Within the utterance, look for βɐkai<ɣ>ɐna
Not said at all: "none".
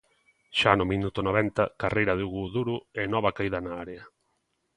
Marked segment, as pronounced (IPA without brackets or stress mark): ð